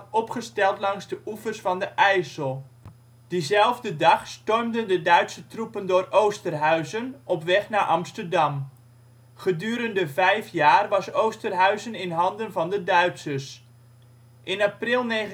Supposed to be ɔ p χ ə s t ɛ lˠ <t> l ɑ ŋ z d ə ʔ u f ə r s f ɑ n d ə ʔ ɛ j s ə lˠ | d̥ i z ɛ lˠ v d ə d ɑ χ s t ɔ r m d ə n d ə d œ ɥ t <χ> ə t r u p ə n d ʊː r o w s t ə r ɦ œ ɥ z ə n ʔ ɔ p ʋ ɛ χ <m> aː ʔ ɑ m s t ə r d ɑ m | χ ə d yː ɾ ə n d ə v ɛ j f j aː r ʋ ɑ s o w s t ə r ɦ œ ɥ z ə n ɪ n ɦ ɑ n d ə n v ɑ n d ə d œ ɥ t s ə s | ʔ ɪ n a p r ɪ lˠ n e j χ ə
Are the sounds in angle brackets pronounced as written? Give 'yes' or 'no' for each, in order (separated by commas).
yes, no, no